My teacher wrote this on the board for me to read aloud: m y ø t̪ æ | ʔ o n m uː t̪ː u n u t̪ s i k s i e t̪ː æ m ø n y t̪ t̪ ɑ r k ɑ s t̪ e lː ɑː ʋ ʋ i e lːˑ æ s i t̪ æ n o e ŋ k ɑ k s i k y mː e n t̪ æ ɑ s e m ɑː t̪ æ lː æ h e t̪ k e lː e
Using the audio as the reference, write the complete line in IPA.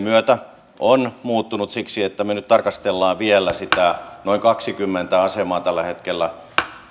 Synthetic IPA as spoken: m y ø t̪ æ | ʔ o n m uː t̪ː u n u t̪ s i k s i e t̪ː æ m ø n y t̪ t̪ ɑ r k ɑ s t̪ e lː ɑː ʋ ʋ i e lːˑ æ s i t̪ æ n o i ŋ k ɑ k s i k y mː e n t̪ æ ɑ s e m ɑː t̪ æ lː æ h e t̪ k e lː æ

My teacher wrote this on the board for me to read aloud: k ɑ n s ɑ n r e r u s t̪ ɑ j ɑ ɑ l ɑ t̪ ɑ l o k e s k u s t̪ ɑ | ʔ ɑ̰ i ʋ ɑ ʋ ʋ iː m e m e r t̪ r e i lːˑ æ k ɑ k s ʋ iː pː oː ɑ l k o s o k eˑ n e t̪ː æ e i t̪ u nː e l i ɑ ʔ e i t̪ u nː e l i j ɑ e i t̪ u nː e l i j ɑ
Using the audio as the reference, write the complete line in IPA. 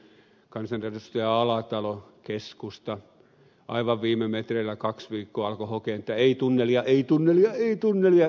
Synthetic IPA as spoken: k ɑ n s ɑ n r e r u s t̪ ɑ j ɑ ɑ l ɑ t̪ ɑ l o k e s k u s t̪ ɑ | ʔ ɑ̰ i ʋ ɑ ʋ ʋ iː m e m e t̪ r e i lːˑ æ k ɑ k s ʋ iː kː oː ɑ l k o h o k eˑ n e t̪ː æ e i t̪ u nː e l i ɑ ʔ e i t̪ u nː e l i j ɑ e i t̪ u nː e l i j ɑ

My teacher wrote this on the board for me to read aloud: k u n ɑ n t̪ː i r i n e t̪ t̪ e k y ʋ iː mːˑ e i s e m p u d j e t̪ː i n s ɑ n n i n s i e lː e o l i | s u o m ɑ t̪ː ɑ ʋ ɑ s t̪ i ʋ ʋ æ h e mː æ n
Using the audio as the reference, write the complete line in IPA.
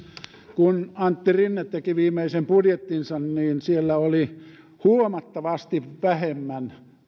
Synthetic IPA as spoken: k u n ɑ n t̪ː i r i nː e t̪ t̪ e k i ʋ iː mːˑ e i s e m p u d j e t̪ː i n s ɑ n n iː n s i e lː æ o l i | h u o m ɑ t̪ː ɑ ʋ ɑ s t̪ i ʋ ʋ æ h e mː æ n

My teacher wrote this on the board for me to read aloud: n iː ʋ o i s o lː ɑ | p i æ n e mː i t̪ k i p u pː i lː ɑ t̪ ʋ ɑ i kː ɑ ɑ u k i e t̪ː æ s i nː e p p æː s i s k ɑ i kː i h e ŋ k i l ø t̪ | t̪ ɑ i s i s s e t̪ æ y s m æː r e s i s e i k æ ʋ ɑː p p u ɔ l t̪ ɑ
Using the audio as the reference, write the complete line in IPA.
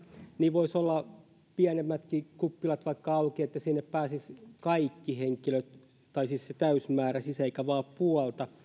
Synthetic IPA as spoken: n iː ʋ o i s o lː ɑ | p i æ n e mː æ t̪ k i k u pː i l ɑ t̪ ʋ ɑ i kː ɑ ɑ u k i e t̪ː æ s i nː e p p æː s i s k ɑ i kː i h e ŋ k i l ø t̪ | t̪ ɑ i s i s s e t̪ æ y s m æː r æ s i s e i k æ ʋ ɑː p p u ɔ l t̪ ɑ

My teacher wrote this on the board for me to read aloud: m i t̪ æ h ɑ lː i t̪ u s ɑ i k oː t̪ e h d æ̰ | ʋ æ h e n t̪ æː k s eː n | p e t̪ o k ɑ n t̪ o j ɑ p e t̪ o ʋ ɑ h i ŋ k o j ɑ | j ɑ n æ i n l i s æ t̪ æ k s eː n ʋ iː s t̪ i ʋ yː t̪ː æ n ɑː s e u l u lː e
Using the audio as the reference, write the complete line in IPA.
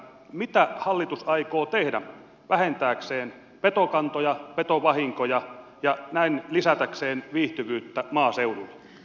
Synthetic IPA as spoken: m i t̪ æ h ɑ lː i t̪ u s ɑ i k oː t̪ e h d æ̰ | ʋ æ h e n t̪ æː k s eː n | p e t̪ o k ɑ n t̪ o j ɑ p e t̪ o ʋ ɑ h i ŋ k o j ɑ | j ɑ n æ i n l i s æ t̪ æ k s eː n ʋ iː h t̪ y ʋ yː t̪ː æ m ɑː s e u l u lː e

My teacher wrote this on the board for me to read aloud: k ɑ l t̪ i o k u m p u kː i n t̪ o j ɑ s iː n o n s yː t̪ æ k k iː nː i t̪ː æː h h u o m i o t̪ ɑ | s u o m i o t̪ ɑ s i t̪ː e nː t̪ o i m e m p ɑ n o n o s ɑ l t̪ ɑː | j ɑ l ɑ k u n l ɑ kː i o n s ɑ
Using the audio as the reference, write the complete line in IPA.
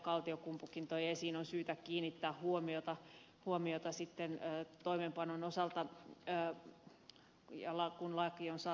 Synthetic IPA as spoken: k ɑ l t̪ i o k u m p u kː i n t̪ o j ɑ s iː n o n s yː t̪ æ k k iː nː i t̪ː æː h h u o m i o t̪ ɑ | h u o m i o t̪ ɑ s i t̪ː e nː t̪ o i m e m p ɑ n o n o s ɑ l t̪ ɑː | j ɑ l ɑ k u n l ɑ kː i o n s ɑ

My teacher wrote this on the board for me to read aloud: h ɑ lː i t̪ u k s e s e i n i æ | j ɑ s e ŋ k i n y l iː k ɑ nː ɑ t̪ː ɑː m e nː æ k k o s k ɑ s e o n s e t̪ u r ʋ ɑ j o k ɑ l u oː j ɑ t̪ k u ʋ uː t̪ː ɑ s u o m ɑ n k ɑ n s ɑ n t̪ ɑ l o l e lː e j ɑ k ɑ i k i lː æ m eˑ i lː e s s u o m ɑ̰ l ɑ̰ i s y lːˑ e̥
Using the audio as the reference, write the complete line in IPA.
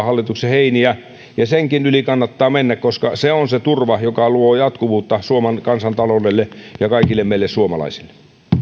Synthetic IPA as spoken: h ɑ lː i t̪ u k s e h e i n i æ | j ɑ s e ŋ k i n y l i k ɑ nː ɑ t̪ː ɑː m e nː æ k k o s k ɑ s e o n s e t̪ u r ʋ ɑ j o k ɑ l u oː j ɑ t̪ k u ʋ uː t̪ː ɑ s u o m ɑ n k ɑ n s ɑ n t̪ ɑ l o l e lː e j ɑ k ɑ i k i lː e m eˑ i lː e s s u o m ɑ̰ l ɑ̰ i s i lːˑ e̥

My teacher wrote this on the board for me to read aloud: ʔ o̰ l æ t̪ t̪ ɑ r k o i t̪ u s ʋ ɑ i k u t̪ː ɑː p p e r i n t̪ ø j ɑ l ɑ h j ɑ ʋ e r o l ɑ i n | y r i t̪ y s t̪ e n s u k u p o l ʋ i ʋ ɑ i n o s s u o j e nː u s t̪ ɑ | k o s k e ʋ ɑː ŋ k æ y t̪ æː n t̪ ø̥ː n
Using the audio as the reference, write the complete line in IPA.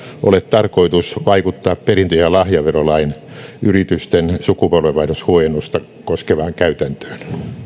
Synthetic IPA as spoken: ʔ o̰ l e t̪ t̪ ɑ r k o i t̪ u s ʋ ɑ i k u t̪ː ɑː p p e r i n t̪ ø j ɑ l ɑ h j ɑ ʋ e r o l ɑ i n | y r i t̪ y s t̪ e n s u k u p o l ʋ e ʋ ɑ i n o s h u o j e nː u s t̪ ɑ | k o s k e ʋ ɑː ŋ k æ y t̪ æ n t̪ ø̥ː n

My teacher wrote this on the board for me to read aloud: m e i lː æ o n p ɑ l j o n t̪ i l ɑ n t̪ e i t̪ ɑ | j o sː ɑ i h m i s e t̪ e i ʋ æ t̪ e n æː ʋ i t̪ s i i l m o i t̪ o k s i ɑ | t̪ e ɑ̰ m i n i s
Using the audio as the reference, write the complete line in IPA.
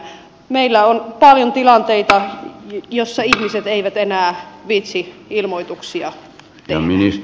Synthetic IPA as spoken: m e i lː æ o n p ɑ l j o n t̪ i l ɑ n t̪ e i t̪ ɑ | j o sː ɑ i h m i s e t̪ e i ʋ æ t̪ e n æː ʋ i t̪ s i i l m o i t̪ u k s i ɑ | t̪ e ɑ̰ m i n i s

